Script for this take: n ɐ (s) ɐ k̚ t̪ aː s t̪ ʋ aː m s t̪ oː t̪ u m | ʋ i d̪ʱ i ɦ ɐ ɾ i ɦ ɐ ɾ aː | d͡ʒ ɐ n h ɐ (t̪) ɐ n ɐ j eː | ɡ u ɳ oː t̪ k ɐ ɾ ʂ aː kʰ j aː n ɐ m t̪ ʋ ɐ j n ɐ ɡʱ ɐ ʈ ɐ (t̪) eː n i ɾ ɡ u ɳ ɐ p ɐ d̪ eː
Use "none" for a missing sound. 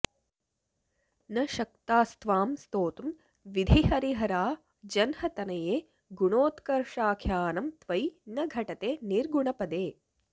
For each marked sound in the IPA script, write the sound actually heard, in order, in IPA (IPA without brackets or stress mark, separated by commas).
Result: ʃ, t̪, t̪